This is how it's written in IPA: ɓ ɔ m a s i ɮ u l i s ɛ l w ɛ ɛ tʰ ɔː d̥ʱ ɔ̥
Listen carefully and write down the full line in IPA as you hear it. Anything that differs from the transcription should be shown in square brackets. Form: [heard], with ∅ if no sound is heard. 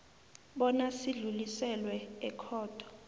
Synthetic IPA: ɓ ɔ [n] a s i ɮ u l i s ɛ l w ɛ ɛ [kʰ] ɔː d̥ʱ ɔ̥